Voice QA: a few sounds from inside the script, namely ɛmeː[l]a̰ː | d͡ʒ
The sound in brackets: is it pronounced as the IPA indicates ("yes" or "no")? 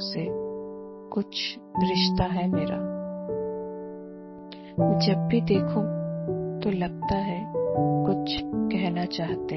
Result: no